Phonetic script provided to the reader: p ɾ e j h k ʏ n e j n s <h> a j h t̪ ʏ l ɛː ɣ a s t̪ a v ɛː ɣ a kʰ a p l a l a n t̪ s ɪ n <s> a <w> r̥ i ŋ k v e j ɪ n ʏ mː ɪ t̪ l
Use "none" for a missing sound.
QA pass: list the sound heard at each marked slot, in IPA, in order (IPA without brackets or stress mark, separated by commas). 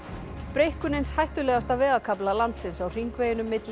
h, s, w